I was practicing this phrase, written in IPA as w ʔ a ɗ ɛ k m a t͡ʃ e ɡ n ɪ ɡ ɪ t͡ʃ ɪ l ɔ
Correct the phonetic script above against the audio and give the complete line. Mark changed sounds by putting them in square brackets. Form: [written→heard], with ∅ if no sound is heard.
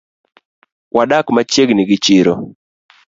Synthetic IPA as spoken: w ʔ a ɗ [ɛ→a] k m a t͡ʃ e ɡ n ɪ ɡ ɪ t͡ʃ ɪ [l→ɾ] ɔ